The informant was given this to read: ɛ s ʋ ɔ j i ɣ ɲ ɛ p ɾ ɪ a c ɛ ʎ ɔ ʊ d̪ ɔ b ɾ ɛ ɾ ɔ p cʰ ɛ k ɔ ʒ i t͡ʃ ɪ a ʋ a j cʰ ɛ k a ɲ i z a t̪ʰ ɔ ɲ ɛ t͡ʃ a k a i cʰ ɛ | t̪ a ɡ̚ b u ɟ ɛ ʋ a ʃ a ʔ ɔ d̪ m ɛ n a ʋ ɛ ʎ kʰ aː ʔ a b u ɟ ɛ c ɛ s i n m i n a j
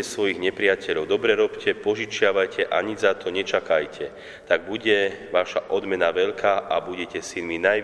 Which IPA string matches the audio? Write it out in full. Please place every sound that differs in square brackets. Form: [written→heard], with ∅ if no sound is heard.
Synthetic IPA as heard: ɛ s ʋ ɔ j i ɣ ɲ ɛ p ɾ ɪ a c ɛ ʎ ɔ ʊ d̪ ɔ b ɾ ɛ ɾ ɔ p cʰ ɛ [k→p] ɔ ʒ i t͡ʃ ɪ a ʋ a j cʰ ɛ [k→ʔ] a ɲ i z a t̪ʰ ɔ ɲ ɛ t͡ʃ a k a [i→j] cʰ ɛ | t̪ a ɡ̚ b u ɟ ɛ ʋ a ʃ a ʔ ɔ d̪ m ɛ n a ʋ ɛ ʎ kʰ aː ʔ a b u ɟ ɛ c ɛ s i n m i n a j